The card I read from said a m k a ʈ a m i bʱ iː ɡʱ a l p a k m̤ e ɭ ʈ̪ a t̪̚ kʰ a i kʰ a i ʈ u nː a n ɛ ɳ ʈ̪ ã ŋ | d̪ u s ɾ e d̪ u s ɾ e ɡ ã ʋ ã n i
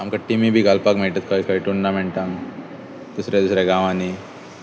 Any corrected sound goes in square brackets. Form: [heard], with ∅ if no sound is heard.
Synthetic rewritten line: a m k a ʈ [i] m i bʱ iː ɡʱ a l p a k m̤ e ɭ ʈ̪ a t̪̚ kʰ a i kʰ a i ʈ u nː a [m] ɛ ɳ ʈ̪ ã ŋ | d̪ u s ɾ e d̪ u s ɾ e ɡ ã ʋ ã n i

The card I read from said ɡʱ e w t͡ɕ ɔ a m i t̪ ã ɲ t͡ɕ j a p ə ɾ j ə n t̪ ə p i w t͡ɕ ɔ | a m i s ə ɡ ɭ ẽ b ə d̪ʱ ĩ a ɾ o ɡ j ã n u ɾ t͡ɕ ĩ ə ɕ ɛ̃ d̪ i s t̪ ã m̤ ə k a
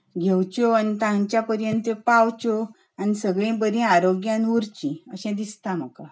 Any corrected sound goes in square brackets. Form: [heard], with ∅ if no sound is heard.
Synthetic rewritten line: ɡʱ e w t͡ɕ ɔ a [n] i t̪ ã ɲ t͡ɕ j a p ə ɾ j ə n t̪ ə p [a] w t͡ɕ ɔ | a [n] i s ə ɡ ɭ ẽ b ə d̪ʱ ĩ a ɾ o ɡ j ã n u ɾ t͡ɕ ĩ ə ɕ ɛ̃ d̪ i s t̪ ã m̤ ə k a

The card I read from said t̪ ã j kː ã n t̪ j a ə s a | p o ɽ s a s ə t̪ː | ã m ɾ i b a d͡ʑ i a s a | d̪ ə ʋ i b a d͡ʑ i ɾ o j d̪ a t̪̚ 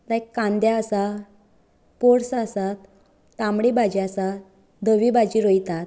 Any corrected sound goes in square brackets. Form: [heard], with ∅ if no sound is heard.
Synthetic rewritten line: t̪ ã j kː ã n [d̪] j a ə s a | p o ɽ s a s [a] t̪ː | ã m [ɽ] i b a d͡ʑ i a s a | d̪ ə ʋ i b a d͡ʑ i ɾ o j [t̪] a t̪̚

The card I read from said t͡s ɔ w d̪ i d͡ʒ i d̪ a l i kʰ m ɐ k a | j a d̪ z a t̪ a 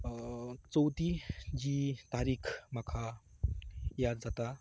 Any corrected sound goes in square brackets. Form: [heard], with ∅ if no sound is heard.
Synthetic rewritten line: t͡s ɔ w [t̪] i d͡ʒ i [t̪] a [ɾ] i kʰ m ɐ [kʰ] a | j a d̪ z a t̪ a

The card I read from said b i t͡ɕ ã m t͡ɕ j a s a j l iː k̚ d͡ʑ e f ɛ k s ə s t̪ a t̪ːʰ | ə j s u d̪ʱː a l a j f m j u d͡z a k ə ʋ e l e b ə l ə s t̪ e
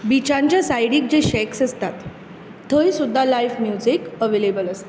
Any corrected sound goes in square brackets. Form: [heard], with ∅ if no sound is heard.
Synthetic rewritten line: b i t͡ɕ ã [ɲ] t͡ɕ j a s a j [ɽ] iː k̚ d͡ʑ e [ɕ] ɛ k s ə s t̪ a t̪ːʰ | ə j s u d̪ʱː a l a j f m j u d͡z [i] k ə ʋ e l e b ə l ə s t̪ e

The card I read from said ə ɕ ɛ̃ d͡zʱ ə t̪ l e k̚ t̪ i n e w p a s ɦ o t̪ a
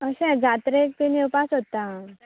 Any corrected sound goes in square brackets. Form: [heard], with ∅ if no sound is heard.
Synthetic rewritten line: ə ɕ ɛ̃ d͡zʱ [a] t̪ [ɾ] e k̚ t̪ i n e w p a s ɦ o t̪ a

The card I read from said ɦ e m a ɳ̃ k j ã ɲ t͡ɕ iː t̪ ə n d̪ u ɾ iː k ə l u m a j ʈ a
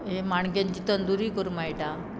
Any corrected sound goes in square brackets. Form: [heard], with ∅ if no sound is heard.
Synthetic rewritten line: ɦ e m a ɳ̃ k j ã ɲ t͡ɕ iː t̪ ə n d̪ u ɾ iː k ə [ɾ] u m a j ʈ a

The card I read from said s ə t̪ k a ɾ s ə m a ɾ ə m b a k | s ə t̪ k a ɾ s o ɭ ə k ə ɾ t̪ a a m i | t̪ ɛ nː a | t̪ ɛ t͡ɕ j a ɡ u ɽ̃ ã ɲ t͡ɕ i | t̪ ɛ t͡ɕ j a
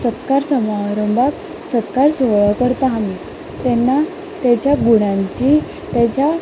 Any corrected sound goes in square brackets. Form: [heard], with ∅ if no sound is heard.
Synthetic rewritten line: s ə t̪ k a ɾ s ə m a ɾ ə m b a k | s ə t̪ k a ɾ s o ɭ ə k ə ɾ t̪ a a m i | t̪ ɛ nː a | t̪ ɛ t͡ɕ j a ɡ u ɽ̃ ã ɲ t͡ɕ i | t̪ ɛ t͡ɕ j a

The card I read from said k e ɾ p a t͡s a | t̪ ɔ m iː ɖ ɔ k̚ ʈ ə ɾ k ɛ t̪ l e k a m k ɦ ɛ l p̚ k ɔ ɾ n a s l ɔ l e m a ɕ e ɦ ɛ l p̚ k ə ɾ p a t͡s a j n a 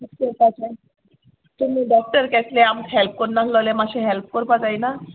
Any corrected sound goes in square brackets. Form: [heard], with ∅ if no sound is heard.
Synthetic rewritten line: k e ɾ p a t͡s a | t̪ [u] m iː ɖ ɔ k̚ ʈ ə ɾ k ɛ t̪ l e [∅] a m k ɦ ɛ l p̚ k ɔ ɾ n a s l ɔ l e m a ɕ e ɦ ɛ l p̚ k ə ɾ p a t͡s a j n a

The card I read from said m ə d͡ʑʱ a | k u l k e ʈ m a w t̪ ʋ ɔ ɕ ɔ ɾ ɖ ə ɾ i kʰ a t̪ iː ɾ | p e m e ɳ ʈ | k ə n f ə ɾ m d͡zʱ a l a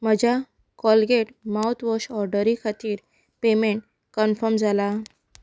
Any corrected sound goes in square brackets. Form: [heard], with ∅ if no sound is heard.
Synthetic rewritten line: m ə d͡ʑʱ a | k [ɔ] l [ɡ] e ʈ m a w t̪ ʋ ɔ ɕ ɔ ɾ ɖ ə ɾ i kʰ a t̪ iː ɾ | p e m e ɳ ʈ | k ə n f ə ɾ m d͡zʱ a l a

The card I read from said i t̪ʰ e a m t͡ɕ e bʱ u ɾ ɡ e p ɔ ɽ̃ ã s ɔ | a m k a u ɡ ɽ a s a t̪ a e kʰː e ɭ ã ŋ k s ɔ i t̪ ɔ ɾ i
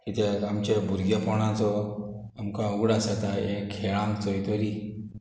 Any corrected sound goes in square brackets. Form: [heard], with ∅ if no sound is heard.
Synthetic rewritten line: i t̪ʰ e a m t͡ɕ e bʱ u ɾ ɡ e p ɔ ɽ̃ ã [t͡s] ɔ | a m k a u ɡ ɽ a s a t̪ a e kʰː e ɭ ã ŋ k [t͡s] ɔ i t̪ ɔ ɾ i

